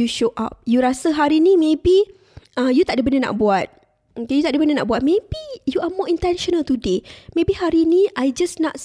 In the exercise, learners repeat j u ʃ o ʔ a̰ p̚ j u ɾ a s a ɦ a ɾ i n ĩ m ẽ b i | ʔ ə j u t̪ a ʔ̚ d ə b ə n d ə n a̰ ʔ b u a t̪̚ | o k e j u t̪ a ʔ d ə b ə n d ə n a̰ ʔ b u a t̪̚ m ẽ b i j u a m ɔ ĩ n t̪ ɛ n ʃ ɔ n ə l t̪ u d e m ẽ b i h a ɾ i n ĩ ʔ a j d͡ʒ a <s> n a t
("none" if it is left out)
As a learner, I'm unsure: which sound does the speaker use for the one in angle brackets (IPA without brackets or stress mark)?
s